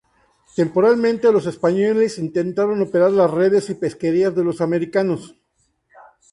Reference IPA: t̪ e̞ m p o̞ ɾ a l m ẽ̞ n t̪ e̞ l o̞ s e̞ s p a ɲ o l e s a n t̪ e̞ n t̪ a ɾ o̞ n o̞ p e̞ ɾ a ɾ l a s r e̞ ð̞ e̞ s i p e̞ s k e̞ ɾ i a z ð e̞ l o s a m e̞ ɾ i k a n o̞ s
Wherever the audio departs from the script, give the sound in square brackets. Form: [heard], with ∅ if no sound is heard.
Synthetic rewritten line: t̪ e̞ m p o̞ ɾ a l m ẽ̞ n t̪ e̞ l o̞ s e̞ s p a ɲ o l e s [i] n t̪ e̞ n t̪ a ɾ o̞ n o̞ p e̞ ɾ a ɾ l a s r e̞ ð̞ e̞ s i p e̞ s k e̞ ɾ i a z ð e̞ l o s a m e̞ ɾ i k a n o̞ s